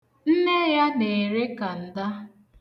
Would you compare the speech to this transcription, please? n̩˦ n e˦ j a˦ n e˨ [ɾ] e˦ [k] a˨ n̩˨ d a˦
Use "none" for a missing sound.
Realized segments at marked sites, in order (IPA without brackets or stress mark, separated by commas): ɾ, k